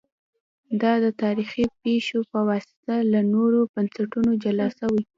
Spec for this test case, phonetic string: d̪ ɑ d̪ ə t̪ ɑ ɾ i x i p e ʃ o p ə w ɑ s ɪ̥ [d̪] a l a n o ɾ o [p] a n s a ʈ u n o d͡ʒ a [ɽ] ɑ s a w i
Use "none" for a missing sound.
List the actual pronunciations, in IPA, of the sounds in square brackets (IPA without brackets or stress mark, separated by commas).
t̪, b, l